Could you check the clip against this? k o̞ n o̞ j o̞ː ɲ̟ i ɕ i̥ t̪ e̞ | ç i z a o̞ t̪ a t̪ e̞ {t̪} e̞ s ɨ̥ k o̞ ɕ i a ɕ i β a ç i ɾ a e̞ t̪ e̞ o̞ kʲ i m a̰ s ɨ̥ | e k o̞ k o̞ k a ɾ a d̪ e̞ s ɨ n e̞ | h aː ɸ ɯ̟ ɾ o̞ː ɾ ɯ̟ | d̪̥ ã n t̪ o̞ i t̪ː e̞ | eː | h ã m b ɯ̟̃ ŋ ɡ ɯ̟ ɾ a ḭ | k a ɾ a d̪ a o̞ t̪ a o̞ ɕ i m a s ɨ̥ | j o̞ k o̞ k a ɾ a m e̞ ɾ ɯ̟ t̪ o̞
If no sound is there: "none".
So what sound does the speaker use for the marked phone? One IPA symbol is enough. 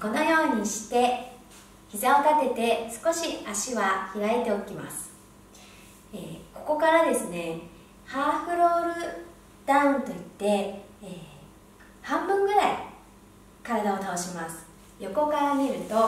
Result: t̪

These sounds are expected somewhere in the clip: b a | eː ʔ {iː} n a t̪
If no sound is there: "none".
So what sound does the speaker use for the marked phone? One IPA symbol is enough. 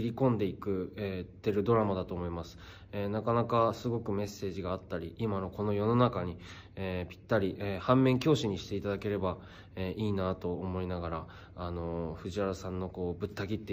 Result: iː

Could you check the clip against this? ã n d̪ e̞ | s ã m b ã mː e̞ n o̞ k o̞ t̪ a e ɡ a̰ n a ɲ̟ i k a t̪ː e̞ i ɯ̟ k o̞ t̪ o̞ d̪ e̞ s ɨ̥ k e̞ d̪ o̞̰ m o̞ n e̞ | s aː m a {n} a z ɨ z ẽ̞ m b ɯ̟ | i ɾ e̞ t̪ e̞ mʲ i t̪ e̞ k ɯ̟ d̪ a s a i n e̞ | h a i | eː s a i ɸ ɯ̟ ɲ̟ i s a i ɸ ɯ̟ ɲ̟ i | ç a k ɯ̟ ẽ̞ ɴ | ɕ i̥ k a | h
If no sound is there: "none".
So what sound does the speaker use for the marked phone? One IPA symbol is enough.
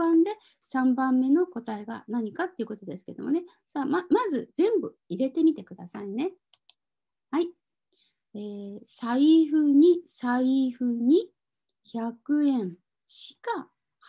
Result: m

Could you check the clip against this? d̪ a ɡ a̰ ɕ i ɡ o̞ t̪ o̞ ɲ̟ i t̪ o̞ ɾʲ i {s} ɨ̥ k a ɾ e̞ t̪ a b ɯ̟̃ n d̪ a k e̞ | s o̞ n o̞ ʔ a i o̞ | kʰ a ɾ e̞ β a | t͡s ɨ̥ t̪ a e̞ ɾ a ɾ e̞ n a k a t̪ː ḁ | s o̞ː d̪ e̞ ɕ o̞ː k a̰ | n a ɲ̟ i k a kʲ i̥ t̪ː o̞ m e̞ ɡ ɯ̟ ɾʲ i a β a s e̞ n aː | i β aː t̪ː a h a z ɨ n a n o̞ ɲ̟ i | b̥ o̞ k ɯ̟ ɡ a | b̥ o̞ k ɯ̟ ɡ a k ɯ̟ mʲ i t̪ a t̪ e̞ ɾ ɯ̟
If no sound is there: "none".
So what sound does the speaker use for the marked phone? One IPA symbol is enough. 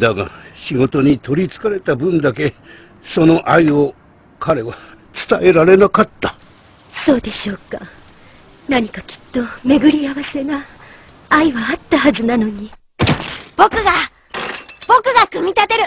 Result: t͡s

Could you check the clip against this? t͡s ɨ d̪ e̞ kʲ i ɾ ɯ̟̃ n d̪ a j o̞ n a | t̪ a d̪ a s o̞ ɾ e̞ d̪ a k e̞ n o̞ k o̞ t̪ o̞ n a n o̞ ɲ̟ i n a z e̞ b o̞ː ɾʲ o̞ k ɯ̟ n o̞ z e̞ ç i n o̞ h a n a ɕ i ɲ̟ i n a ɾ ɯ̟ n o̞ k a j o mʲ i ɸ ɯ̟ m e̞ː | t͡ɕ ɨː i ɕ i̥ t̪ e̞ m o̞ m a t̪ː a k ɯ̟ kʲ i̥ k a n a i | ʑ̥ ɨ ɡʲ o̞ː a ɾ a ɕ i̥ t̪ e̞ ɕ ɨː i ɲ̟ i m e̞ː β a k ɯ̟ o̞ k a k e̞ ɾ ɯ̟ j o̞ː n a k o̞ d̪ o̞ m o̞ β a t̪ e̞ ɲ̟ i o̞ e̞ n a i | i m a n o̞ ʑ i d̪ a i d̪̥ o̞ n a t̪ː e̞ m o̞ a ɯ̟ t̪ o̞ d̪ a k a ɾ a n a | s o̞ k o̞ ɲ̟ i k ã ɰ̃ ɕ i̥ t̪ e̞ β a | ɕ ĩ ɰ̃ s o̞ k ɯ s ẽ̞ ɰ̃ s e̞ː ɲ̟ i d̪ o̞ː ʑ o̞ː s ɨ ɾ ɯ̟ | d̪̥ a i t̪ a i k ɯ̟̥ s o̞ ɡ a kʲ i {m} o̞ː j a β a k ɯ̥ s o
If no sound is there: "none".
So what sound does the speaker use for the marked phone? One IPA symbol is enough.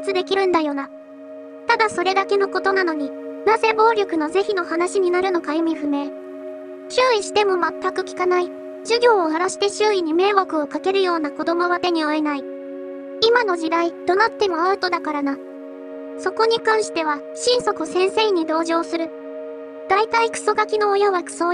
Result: n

